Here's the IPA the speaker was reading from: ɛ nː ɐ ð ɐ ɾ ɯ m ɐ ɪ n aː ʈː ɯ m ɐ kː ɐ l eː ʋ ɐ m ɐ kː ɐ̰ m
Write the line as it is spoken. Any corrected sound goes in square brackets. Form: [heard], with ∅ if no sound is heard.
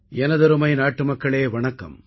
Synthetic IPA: ɛ [n] ɐ ð ɐ ɾ ɯ m ɐ ɪ n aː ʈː ɯ m ɐ kː ɐ [ɭ] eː ʋ ɐ [ɳ] ɐ kː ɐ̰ m